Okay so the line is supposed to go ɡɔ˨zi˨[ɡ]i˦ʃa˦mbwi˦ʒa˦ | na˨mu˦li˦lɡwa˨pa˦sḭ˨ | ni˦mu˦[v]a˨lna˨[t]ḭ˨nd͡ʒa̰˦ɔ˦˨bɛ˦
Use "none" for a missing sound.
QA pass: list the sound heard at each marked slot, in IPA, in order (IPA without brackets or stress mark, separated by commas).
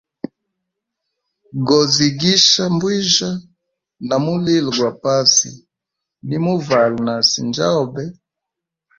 ɡ, v, s